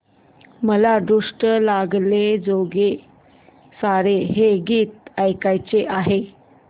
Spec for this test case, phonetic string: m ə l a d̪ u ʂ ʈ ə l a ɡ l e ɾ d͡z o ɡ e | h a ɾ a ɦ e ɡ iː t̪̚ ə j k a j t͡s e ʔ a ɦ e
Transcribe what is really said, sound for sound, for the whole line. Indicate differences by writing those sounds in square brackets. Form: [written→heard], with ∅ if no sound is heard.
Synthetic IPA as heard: m ə l a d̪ u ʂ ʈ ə l a ɡ l e [ɾ→∅] d͡z o ɡ e | [h→s] a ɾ [a→e] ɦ e ɡ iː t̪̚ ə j k a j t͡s e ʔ a ɦ e

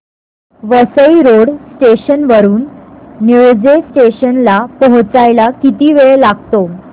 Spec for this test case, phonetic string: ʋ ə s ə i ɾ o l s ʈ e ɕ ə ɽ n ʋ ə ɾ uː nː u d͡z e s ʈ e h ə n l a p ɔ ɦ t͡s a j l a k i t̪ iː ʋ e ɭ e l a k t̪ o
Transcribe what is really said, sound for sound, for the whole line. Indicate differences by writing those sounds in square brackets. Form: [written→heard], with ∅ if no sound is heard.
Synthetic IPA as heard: ʋ ə s ə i ɾ o [l→ɽ] s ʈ e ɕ ə [ɽ→∅] n ʋ ə ɾ uː nː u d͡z e s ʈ e [h→ɕ] ə n l a p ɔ ɦ t͡s a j l a k i t̪ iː ʋ e ɭ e l a [k→ɡ] t̪ o

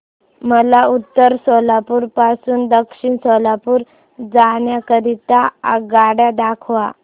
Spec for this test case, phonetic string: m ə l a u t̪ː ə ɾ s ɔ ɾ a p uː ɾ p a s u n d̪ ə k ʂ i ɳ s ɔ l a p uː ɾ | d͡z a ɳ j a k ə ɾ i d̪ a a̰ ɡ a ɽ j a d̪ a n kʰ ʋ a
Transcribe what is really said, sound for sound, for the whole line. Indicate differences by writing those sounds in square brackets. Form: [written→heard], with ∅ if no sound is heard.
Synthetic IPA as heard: m ə l a u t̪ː ə ɾ s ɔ [ɾ→l] a p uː ɾ p a s [u→uː] n d̪ ə k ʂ i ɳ s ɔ l a p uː ɾ | d͡z a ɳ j a k ə ɾ i [d̪→t̪] a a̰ ɡ a ɽ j a d̪ a [n→∅] kʰ ʋ a

